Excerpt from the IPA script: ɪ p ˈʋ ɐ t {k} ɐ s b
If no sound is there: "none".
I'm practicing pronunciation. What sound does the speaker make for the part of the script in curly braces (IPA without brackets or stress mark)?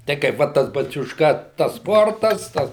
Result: t